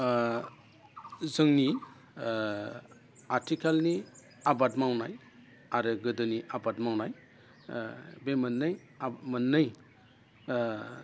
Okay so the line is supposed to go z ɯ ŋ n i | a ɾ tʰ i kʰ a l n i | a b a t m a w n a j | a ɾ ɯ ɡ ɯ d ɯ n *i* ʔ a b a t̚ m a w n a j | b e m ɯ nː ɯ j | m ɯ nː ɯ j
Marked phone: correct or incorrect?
correct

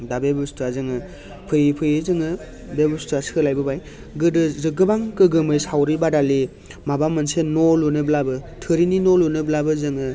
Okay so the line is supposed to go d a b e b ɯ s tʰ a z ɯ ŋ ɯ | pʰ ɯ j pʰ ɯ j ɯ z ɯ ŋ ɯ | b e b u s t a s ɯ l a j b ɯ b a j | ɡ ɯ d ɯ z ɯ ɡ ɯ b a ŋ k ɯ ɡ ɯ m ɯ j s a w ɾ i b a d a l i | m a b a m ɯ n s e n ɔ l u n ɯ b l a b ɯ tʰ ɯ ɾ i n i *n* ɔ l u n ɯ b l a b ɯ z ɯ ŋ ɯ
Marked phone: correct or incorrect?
correct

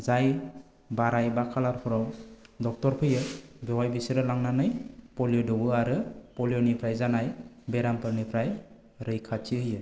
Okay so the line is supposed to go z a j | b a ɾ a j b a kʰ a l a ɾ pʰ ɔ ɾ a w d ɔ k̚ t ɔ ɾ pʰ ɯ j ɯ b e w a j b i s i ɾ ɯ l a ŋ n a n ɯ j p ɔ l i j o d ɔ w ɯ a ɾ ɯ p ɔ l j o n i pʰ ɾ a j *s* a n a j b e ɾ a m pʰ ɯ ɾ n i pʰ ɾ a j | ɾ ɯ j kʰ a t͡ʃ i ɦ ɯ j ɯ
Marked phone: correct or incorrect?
incorrect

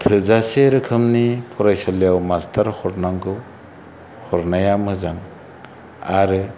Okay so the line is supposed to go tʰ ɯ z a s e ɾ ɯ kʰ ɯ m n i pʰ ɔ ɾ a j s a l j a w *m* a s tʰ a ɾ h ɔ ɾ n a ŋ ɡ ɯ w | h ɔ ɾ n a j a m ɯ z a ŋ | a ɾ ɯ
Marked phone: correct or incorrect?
correct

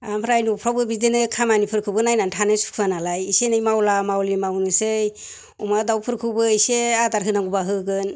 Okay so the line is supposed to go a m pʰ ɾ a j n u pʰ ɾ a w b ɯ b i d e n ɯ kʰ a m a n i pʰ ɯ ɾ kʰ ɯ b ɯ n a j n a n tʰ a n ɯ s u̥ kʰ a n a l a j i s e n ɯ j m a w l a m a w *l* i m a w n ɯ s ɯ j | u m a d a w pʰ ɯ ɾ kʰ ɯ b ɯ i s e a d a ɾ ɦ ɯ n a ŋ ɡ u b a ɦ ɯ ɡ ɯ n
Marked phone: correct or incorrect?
correct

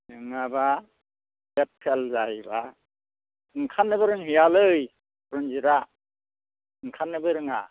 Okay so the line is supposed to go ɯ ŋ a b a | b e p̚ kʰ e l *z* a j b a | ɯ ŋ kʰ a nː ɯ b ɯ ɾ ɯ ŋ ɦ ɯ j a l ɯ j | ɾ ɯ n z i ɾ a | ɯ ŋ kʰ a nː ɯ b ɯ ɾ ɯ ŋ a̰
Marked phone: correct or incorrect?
correct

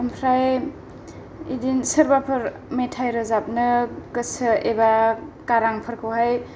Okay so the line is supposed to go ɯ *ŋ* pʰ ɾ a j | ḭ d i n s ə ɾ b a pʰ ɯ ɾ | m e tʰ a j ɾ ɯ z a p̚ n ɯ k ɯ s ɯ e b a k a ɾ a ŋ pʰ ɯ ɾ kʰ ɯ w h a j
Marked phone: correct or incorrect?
incorrect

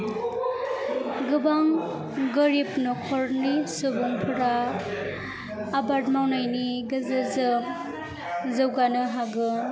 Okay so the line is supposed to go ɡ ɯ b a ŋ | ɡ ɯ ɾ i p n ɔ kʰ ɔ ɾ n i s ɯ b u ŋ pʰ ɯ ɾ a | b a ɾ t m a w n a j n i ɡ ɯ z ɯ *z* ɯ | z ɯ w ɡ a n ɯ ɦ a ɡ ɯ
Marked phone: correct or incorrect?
correct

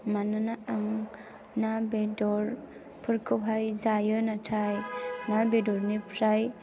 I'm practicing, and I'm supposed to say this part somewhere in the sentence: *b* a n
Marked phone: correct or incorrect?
incorrect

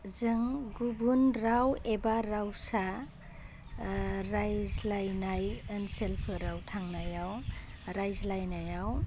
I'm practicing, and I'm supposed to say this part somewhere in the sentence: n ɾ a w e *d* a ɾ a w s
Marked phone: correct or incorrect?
incorrect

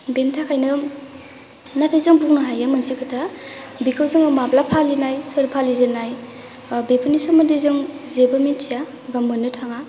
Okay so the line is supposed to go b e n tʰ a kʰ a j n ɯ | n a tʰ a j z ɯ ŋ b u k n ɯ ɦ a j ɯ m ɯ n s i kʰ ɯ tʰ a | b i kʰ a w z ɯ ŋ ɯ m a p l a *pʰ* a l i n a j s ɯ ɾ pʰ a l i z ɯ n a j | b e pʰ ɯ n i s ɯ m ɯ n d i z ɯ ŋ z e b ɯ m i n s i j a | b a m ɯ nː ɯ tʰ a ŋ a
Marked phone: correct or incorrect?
correct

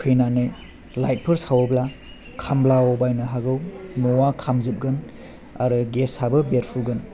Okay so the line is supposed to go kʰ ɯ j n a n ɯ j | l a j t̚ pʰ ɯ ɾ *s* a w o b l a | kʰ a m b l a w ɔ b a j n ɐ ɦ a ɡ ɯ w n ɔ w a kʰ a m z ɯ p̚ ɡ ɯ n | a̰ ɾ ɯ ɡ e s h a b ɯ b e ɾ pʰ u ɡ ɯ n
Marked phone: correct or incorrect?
correct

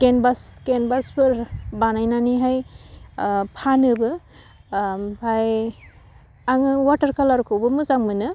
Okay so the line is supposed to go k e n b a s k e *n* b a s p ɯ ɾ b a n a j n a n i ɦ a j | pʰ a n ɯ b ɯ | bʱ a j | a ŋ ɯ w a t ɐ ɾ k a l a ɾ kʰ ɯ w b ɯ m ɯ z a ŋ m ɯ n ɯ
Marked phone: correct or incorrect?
correct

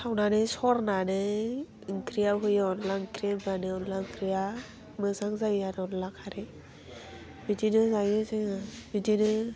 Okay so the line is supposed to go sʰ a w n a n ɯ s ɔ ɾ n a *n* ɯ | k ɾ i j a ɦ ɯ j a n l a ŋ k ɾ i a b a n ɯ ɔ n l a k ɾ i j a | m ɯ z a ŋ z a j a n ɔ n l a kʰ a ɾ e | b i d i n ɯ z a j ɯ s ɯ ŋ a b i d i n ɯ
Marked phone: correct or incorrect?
correct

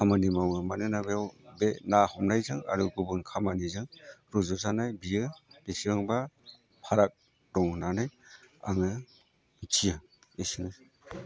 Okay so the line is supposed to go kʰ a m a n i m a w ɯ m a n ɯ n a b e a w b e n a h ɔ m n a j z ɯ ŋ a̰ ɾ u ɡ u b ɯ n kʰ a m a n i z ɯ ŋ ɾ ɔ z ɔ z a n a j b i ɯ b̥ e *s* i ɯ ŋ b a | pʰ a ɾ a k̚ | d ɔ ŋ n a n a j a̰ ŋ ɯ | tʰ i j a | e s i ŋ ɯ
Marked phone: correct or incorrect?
correct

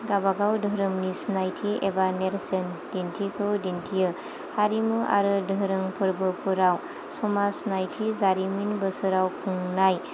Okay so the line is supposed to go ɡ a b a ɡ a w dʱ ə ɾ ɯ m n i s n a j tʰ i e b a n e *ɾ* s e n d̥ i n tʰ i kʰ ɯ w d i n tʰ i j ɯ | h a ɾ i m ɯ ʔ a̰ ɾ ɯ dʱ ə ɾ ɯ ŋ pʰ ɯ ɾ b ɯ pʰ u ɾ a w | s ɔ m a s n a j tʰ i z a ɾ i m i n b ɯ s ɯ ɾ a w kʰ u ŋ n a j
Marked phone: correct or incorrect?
correct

